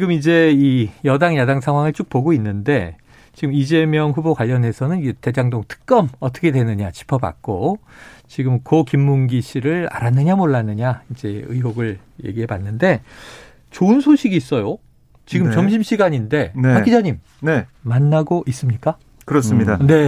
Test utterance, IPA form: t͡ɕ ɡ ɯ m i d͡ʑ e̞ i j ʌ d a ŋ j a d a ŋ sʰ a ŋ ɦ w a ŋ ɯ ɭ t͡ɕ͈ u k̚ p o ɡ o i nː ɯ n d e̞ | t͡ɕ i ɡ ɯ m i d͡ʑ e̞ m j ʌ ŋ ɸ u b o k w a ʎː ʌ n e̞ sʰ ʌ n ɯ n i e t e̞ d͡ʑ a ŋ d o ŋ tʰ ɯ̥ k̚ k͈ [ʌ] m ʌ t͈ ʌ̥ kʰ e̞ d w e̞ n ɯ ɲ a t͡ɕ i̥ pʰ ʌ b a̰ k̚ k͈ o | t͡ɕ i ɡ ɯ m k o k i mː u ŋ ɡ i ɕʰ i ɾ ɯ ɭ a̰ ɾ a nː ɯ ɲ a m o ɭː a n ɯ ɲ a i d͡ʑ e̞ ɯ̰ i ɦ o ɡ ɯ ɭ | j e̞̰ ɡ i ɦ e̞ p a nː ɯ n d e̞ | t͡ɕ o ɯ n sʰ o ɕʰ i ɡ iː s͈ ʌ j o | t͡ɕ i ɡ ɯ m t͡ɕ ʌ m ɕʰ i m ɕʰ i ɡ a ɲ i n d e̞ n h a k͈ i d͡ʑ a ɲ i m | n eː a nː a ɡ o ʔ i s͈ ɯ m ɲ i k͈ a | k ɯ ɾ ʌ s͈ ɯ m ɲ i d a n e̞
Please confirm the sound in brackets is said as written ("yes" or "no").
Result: yes